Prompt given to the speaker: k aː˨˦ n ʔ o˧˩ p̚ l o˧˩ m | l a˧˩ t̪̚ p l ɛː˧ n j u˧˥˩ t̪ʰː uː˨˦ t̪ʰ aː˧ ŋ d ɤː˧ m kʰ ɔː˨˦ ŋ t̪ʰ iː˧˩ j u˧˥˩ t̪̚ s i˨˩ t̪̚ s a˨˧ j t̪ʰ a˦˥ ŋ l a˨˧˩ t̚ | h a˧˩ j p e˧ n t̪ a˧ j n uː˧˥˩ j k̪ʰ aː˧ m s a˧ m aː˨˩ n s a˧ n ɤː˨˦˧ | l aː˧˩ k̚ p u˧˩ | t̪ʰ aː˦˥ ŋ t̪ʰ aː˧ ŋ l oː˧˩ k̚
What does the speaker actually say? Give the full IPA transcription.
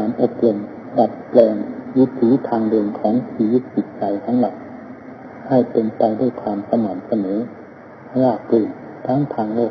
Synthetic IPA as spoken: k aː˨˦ n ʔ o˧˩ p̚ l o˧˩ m | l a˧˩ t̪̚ p l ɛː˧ ŋ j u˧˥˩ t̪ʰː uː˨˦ t̪ʰ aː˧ ŋ d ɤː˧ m kʰ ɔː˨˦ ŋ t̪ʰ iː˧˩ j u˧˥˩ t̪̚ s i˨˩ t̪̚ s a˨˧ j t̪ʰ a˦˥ ŋ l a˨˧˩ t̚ | h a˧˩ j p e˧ n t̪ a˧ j d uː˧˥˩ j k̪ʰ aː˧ m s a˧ m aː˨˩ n s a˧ n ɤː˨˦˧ | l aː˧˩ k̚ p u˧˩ | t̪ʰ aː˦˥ ŋ t̪ʰ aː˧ ŋ l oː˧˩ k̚

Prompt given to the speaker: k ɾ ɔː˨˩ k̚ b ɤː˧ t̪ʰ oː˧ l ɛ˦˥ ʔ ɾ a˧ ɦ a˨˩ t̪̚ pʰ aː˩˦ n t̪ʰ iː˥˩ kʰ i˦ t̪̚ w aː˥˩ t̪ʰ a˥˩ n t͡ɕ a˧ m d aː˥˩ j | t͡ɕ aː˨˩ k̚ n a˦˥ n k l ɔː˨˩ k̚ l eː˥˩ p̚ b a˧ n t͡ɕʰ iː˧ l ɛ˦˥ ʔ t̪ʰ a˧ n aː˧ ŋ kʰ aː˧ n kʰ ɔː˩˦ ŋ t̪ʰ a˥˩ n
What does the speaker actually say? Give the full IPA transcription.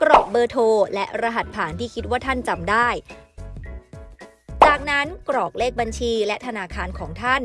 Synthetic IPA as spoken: k ɾ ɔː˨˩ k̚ b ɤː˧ t̪ʰ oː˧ l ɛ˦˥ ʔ ɾ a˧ ɦ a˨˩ t̪̚ pʰ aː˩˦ n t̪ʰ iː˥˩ kʰ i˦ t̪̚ w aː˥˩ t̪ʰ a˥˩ n t͡ɕ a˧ m d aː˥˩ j | t͡ɕ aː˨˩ k̚ n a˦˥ n k ɾ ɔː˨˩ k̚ l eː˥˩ k̚ b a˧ n t͡ɕʰ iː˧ l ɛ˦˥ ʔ t̪ʰ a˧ n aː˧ kʰ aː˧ n kʰ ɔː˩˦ ŋ t̪ʰ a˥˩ n

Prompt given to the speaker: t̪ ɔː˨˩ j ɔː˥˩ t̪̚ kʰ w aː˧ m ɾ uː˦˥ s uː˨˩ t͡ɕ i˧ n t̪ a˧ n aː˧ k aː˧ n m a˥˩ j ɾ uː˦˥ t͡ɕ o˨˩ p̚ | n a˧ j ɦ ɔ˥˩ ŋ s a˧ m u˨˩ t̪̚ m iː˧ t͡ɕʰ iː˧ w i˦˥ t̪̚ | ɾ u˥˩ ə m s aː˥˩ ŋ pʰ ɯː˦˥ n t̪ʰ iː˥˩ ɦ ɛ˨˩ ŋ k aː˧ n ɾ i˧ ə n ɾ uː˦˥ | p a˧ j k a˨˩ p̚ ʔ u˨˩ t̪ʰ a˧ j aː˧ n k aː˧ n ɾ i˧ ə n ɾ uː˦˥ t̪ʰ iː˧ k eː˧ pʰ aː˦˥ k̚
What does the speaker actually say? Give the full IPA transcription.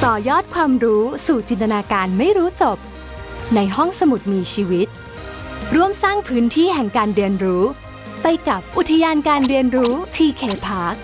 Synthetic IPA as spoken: t̪ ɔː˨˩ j ɔː˥˩ t̪̚ kʰ w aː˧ m ɾ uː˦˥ s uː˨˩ t͡ɕ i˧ n t̪ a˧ n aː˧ k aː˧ n m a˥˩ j ɾ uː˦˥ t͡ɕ o˨˩ p̚ | n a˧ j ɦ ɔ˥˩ ŋ s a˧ m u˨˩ t̪̚ m iː˧ t͡ɕʰ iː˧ w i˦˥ t̪̚ | ɾ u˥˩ ə m s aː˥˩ ŋ pʰ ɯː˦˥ n t̪ʰ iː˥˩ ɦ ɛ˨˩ ŋ k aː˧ n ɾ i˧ ə n ɾ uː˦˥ | p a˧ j k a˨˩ p̚ ʔ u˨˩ t̪ʰ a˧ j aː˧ n k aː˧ n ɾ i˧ ə n ɾ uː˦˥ t̪ʰ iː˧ kʰ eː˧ pʰ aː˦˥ k̚

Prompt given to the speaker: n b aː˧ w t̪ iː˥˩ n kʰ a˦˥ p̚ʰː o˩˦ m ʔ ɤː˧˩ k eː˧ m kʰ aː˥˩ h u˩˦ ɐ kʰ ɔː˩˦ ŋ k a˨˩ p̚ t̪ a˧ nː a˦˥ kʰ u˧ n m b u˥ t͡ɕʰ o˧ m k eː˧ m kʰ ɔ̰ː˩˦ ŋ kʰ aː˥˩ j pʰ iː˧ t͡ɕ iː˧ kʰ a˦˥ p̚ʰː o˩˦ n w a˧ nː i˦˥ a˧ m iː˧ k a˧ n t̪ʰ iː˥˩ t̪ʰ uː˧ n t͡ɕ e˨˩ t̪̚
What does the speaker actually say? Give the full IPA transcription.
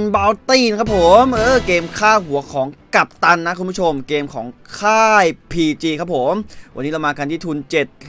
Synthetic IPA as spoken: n b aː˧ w t̪ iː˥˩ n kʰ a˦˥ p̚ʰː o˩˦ m ʔ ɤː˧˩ k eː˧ m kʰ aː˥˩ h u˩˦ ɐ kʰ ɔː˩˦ ŋ k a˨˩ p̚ t̪ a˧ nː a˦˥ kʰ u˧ n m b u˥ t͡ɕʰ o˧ m k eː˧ m kʰ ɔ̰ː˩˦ ŋ kʰ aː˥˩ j pʰ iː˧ t͡ɕ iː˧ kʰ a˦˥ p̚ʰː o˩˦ m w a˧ nː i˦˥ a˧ m aː˧ k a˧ n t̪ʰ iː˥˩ t̪ʰ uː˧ n t͡ɕ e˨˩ t̪̚

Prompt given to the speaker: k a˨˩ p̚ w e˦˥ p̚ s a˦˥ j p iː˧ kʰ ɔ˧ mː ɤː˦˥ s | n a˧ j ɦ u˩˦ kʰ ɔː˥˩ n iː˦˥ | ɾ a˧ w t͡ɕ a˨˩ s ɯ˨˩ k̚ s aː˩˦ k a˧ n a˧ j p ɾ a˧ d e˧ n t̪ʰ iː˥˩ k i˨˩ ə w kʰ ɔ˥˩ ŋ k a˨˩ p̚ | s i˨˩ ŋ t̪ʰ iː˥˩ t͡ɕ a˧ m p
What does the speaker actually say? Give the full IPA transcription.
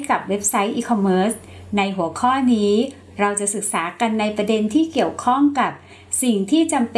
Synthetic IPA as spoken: k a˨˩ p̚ w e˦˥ p̚ s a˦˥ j ʔ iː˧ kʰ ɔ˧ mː ɤː˦˥ s | n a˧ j ɦ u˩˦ kʰ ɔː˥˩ n iː˦˥ | ɾ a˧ w t͡ɕ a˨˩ s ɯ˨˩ k̚ s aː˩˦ k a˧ nː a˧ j p ɾ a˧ d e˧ n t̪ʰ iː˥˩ k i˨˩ ə w kʰ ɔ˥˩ ŋ k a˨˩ p̚ | s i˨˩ ŋ t̪ʰ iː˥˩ t͡ɕ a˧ m p

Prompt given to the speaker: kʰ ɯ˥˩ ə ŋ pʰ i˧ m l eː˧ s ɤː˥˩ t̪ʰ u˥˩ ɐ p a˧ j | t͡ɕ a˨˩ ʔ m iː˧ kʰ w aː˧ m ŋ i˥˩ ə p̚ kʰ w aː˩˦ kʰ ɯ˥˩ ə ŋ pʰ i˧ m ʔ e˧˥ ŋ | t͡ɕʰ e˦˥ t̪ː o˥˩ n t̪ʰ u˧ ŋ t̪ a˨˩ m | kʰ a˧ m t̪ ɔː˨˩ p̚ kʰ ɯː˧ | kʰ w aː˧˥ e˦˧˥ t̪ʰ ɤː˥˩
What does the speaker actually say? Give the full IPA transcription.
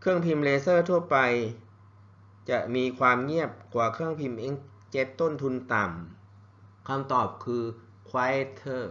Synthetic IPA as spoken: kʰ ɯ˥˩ ə ŋ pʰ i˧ m l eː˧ s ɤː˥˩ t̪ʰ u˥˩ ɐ p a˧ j | t͡ɕ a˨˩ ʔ m iː˧ kʰ w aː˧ m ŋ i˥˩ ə p̚ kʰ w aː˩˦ kʰ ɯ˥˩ ə ŋ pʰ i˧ m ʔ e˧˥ ŋ | t͡ɕ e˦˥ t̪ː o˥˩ n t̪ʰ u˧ n t̪ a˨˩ m | kʰ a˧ m t̪ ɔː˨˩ p̚ kʰ ɯː˧ | kʰ w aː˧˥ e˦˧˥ t̪ʰ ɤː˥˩

